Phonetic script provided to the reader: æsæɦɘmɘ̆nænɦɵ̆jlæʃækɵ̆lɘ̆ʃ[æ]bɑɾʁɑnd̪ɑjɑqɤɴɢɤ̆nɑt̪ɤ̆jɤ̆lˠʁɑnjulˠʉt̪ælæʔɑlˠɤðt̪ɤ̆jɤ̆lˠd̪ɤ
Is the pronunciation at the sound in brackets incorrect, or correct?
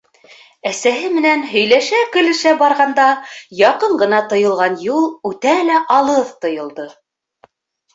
correct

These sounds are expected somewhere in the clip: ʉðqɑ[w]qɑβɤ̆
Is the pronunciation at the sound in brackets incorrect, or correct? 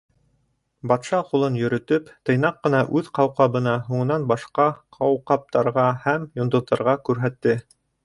correct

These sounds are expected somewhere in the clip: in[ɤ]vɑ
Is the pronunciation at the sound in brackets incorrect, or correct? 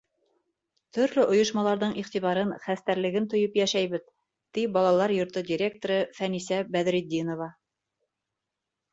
incorrect: o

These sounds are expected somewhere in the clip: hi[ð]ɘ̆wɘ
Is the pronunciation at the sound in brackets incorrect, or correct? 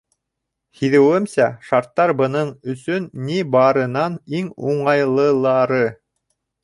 correct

